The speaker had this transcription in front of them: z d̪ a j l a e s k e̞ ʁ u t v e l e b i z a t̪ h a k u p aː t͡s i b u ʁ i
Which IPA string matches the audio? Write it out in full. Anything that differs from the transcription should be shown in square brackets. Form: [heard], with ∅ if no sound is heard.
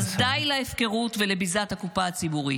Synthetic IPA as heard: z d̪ a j l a e [f] k e̞ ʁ u t v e l e b i z a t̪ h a k u p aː t͡s i b u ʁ i